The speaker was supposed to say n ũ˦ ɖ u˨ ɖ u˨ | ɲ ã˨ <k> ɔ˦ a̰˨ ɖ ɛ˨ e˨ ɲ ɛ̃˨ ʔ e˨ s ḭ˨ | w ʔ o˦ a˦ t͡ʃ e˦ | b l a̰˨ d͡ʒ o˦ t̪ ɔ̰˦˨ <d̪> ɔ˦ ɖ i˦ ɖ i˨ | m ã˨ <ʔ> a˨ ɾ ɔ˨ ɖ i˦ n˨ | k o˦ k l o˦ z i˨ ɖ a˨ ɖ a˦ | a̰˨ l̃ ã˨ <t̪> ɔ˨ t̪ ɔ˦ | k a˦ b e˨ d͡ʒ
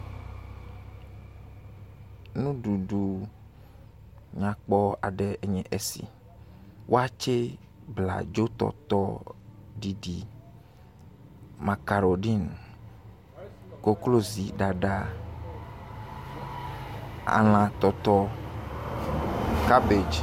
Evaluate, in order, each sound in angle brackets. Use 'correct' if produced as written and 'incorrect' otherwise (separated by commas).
incorrect, incorrect, incorrect, correct